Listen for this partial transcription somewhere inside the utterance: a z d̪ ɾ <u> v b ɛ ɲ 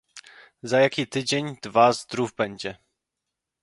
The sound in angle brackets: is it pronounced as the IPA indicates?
yes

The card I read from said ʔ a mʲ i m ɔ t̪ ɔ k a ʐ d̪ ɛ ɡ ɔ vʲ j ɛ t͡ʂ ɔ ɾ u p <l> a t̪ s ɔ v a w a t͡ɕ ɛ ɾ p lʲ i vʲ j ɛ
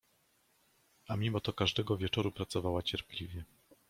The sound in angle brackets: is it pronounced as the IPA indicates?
no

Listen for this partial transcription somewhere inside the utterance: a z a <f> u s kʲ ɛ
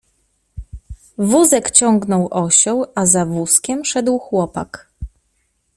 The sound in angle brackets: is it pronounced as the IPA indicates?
no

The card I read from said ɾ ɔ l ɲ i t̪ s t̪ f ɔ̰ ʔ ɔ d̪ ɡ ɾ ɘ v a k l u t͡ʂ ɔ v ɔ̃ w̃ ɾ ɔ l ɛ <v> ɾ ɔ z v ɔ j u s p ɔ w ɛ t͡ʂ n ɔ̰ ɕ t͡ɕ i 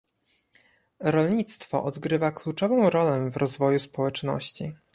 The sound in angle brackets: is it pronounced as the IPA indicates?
yes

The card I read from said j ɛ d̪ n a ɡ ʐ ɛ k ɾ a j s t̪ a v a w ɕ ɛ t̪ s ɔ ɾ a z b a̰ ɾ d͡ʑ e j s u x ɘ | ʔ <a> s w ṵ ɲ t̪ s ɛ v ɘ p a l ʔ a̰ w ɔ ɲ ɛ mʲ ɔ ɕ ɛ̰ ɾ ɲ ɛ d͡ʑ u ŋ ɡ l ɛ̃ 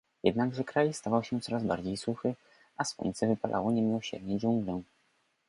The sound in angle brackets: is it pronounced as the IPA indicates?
yes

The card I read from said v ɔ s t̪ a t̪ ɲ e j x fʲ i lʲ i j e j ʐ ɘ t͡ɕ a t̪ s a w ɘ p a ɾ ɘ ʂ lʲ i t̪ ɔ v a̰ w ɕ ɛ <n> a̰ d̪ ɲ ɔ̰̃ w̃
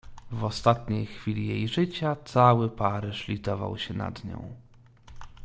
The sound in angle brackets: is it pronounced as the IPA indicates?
yes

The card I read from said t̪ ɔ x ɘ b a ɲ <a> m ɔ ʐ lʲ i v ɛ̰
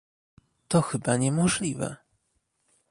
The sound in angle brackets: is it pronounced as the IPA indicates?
no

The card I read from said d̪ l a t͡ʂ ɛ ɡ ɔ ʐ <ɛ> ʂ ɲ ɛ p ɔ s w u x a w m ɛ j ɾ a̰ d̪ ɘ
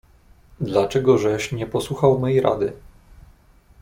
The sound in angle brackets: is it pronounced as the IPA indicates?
yes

